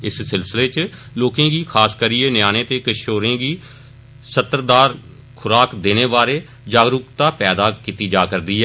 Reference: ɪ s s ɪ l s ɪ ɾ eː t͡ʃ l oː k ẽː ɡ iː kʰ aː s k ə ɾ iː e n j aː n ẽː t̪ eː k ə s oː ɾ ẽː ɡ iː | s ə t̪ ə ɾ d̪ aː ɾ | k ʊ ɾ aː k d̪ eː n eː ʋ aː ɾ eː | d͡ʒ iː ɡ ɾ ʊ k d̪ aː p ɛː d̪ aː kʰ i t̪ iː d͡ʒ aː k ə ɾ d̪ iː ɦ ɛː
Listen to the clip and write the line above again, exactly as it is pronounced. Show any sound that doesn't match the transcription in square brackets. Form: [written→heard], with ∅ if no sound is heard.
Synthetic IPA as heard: ɪ s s ɪ l s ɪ [ɾ→l] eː t͡ʃ l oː k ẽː ɡ iː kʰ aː s k ə ɾ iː e n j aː n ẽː t̪ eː k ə [s→ʃ] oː ɾ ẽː ɡ iː | s ə t̪ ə ɾ d̪ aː ɾ | [k→kʰ] ʊ ɾ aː k d̪ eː n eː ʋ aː ɾ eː | d͡ʒ [iː→aː] ɡ ɾ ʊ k [d̪→t̪] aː p ɛː d̪ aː [kʰ→k] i t̪ iː d͡ʒ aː k ə ɾ d̪ iː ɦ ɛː